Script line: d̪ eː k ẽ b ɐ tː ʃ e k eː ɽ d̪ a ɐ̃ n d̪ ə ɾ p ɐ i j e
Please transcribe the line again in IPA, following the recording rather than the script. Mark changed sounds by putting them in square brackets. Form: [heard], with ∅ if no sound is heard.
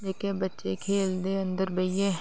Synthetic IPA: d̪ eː k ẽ b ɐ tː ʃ e [kʰ] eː [l] d̪ [e] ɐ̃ n d̪ ə ɾ [b] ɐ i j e